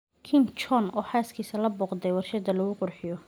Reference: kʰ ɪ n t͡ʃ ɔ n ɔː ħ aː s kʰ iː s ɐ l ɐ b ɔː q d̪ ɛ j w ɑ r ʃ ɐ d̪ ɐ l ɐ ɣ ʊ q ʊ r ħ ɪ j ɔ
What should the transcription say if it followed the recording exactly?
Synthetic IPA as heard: kʰ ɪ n t͡ʃ ɔ n ɔː ħ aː s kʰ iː s ɐ l ɐ b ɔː q d̪ ɛ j w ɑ r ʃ ɐ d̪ ɐ l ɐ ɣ ʊ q ʊ r ħ ɪ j ɔ